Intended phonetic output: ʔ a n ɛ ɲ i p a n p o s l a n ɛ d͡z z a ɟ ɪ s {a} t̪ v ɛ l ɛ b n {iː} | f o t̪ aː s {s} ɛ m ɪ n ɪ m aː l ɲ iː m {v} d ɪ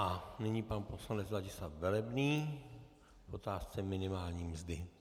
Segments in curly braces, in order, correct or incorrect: correct, correct, incorrect: t͡s, incorrect: z

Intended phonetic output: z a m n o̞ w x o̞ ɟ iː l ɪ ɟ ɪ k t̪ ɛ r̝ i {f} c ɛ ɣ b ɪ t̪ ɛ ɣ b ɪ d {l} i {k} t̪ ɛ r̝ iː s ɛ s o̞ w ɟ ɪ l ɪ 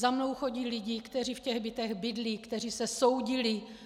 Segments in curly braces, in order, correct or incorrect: correct, correct, correct

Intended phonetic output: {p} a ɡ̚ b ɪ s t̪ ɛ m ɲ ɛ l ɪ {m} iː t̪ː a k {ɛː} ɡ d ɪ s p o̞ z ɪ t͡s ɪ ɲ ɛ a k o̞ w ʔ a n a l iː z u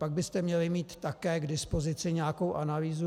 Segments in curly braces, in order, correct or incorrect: correct, correct, correct

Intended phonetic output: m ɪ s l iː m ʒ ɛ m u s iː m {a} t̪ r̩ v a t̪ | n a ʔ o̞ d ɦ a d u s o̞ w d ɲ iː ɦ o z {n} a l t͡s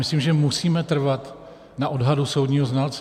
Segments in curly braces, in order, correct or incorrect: incorrect: ɛ, correct

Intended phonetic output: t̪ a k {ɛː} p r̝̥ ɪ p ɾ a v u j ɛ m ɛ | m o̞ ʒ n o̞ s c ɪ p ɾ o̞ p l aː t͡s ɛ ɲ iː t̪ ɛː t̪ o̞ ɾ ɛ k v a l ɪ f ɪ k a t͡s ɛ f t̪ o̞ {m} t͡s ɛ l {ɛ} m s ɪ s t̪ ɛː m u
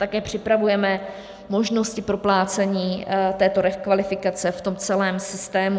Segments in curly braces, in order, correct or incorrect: correct, correct, incorrect: ɛː

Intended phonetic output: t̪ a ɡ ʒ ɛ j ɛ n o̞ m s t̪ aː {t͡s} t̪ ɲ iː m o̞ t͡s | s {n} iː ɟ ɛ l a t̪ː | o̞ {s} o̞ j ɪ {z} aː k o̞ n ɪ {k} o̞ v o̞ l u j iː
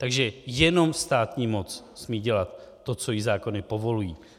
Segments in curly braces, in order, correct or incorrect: incorrect: none, incorrect: m, incorrect: t͡s, correct, incorrect: p

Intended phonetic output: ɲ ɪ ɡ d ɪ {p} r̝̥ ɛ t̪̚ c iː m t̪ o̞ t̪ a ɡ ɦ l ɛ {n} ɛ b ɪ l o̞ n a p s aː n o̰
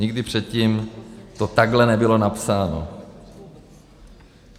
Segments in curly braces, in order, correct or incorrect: correct, correct

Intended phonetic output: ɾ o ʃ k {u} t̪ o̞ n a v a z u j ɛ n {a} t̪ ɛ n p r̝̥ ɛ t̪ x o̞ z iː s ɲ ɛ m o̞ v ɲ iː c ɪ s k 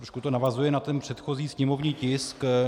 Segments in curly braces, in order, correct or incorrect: correct, correct

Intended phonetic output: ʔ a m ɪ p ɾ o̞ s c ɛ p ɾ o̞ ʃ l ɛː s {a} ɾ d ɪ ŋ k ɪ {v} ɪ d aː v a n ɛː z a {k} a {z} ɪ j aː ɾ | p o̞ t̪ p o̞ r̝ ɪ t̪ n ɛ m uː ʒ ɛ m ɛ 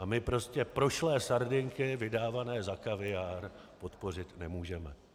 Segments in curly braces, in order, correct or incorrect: correct, correct, correct, incorrect: v

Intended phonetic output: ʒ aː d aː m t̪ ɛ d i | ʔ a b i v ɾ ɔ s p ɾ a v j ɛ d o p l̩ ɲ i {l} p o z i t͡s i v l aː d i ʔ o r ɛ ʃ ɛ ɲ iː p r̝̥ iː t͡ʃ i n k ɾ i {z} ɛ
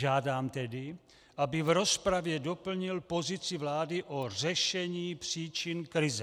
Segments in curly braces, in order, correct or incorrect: correct, correct

